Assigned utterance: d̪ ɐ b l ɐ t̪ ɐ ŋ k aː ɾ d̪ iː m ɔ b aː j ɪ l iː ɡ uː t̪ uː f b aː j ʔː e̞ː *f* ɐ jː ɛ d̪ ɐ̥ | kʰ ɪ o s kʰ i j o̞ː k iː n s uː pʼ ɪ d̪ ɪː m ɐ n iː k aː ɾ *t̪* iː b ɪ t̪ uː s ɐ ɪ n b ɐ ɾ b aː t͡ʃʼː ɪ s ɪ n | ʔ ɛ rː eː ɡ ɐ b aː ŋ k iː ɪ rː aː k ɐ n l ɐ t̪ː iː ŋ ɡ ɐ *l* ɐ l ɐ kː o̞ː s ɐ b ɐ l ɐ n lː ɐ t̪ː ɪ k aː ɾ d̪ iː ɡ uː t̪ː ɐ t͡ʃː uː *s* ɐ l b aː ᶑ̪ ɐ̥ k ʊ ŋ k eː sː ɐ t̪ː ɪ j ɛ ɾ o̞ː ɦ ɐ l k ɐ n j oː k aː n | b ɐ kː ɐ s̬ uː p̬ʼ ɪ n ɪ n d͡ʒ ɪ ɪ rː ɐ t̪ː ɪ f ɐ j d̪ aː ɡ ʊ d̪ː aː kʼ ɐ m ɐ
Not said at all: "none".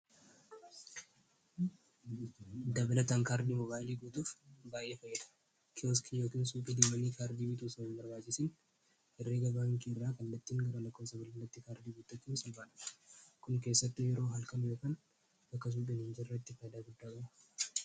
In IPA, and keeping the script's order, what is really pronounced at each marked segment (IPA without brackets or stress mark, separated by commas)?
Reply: f, d̪, ɾ, s